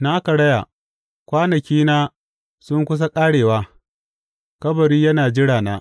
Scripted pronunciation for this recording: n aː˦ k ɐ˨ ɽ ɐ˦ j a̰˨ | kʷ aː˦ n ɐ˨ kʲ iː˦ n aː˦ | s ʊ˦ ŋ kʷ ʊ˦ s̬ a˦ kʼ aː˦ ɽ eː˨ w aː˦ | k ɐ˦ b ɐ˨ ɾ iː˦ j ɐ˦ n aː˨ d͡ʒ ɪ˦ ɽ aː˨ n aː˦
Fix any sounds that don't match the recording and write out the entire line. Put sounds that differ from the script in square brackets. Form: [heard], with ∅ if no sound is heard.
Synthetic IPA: n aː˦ k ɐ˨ ɽ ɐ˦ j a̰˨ | kʷ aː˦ n ɐ˨ kʲ iː˦ n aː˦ | s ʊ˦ ŋ kʷ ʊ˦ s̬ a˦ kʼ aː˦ ɽ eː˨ w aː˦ | k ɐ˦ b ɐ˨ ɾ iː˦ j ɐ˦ n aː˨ d͡ʒ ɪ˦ ɽ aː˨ n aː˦